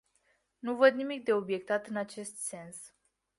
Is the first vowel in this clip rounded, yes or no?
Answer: yes